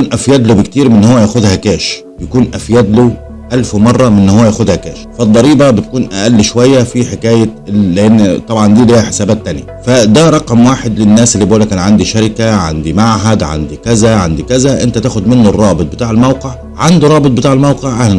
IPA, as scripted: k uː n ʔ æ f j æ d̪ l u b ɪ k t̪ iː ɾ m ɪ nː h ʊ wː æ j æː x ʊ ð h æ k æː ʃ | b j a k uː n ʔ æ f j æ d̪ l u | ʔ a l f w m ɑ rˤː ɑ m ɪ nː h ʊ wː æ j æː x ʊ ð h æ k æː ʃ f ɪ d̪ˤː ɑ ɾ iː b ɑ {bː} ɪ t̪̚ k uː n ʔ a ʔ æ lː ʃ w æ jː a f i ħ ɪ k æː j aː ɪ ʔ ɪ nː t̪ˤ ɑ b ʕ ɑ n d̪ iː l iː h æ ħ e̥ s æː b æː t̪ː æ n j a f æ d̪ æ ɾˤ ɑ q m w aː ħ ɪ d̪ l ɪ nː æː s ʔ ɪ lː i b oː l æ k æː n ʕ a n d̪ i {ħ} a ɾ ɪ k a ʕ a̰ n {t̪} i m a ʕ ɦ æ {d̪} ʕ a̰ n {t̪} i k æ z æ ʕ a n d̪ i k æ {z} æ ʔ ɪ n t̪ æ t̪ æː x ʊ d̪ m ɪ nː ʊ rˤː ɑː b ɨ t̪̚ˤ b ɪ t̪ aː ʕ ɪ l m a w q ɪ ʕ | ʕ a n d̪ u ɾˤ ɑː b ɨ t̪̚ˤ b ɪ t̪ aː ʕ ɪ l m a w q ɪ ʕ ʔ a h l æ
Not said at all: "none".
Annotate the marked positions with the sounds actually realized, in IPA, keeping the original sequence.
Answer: b, ʃ, d̪, d̪, d̪, z

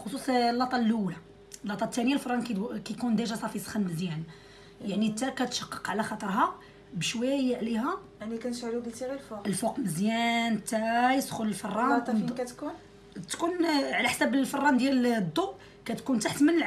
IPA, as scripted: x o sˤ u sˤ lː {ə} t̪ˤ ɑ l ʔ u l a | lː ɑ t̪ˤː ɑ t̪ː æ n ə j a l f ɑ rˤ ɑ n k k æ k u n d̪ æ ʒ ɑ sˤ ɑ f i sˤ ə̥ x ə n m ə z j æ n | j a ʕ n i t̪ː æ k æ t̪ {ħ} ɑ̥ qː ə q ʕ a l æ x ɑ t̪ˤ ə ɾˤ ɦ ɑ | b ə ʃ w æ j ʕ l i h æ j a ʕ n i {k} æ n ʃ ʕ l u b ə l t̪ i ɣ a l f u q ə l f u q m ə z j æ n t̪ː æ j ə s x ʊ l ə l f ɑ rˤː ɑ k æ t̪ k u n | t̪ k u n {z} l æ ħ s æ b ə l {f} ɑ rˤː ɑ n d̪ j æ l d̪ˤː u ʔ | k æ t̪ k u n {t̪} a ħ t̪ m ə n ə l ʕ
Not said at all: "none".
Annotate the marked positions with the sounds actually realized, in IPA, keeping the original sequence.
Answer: ɑ, ʃ, k, ʕ, f, t̪

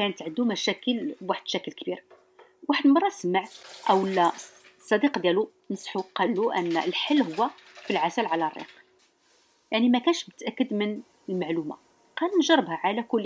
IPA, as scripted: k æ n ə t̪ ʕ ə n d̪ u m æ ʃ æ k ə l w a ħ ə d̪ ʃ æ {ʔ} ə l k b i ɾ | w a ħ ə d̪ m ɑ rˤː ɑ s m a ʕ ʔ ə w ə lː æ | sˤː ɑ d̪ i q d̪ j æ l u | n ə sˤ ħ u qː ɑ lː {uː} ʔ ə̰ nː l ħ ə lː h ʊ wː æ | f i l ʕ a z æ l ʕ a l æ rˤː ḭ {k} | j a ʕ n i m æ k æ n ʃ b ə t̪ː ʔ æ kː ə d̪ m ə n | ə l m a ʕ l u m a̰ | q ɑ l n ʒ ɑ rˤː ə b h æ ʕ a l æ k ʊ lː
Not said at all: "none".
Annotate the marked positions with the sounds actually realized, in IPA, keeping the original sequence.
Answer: k, u, q

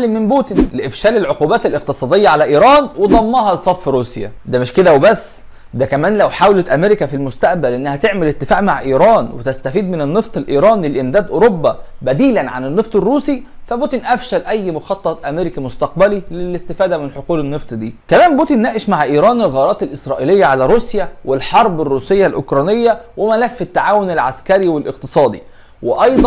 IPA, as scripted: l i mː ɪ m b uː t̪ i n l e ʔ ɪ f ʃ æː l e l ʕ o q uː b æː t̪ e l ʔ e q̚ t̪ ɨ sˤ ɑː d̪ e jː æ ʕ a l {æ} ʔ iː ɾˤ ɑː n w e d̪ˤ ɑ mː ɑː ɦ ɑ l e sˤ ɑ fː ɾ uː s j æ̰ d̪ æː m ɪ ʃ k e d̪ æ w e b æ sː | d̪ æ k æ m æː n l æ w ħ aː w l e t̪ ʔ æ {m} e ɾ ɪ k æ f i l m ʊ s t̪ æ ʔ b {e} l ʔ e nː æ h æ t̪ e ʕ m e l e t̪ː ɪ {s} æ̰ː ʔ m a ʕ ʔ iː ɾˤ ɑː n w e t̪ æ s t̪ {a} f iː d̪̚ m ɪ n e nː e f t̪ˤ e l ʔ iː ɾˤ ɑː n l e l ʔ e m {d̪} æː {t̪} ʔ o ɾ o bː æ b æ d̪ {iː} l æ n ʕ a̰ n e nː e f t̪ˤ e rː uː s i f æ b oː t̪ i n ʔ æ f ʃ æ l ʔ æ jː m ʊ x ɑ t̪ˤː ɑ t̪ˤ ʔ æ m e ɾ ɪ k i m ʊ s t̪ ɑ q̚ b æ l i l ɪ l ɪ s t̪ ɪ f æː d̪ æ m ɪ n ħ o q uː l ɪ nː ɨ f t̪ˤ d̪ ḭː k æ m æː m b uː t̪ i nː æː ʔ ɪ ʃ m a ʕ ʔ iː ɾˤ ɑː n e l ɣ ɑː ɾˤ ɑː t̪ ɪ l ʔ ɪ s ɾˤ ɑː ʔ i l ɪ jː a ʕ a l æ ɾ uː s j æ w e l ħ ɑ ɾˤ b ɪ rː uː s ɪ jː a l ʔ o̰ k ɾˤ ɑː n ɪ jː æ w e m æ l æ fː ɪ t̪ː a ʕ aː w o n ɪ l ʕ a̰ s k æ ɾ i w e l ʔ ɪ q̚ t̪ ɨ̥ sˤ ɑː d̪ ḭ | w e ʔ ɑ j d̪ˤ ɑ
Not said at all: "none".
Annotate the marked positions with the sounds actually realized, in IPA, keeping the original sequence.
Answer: æ, m, æ, f, æ, d̪, d̪, iː

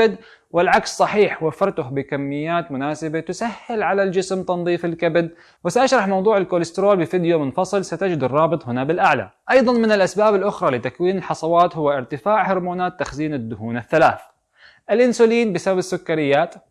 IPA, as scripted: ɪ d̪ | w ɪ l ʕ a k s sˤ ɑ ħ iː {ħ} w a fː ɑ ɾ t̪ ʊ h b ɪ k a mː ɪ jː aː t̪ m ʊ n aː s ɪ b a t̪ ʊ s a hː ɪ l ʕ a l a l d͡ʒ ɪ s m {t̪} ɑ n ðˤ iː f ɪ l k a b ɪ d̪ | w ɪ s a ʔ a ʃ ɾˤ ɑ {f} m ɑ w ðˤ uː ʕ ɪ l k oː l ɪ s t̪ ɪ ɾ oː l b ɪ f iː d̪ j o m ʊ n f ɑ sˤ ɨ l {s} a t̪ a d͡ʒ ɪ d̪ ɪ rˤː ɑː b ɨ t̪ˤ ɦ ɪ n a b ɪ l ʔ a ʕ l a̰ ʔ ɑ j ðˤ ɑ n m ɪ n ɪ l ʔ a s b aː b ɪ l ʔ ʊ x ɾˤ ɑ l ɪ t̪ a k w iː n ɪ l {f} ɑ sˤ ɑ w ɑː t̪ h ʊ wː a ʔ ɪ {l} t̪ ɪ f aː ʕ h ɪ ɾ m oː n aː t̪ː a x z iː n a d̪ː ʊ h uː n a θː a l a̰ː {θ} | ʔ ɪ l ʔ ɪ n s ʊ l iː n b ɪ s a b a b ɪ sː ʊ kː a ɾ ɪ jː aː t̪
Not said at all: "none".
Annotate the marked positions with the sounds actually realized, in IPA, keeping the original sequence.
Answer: ħ, t̪, ħ, s, ħ, ɾ, θ

